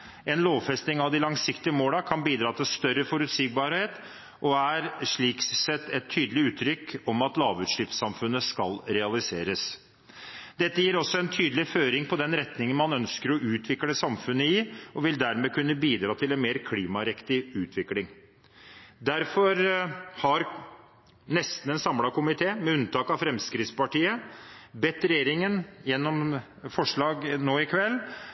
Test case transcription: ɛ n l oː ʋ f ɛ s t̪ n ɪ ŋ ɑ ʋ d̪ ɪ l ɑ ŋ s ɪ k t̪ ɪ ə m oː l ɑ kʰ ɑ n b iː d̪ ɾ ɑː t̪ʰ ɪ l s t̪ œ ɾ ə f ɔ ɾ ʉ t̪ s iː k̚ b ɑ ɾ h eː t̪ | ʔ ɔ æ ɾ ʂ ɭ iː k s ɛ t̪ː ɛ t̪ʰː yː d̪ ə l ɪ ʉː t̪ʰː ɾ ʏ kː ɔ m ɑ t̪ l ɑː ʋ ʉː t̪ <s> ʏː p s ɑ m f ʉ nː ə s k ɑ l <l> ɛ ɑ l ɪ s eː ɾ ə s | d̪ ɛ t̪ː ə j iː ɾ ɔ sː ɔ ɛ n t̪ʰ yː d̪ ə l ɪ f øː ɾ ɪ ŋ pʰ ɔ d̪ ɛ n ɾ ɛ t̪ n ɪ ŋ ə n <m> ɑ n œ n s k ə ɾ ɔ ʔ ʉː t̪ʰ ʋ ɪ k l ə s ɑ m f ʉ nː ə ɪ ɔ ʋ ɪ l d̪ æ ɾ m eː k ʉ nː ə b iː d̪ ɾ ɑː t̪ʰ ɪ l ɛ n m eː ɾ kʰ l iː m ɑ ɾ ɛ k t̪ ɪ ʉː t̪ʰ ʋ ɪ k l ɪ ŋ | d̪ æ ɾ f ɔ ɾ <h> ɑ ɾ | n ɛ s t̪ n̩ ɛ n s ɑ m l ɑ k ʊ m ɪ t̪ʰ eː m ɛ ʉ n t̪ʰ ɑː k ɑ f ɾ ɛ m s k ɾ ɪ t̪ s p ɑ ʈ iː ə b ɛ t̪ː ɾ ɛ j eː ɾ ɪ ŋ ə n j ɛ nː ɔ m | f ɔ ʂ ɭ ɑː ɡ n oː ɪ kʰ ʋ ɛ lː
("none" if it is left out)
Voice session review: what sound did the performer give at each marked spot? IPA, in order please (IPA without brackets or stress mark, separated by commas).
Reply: ʂ, ɾ, m, h